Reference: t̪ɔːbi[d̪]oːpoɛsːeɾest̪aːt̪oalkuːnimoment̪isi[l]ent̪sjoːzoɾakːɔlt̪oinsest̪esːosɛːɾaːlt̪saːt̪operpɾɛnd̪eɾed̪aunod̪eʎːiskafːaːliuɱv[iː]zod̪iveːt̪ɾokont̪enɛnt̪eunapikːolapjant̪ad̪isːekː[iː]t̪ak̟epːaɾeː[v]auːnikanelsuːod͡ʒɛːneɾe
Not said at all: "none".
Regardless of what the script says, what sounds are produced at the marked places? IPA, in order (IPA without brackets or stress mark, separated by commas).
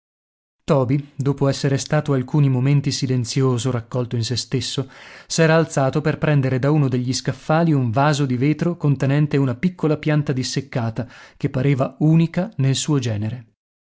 d̪, l, aː, aː, v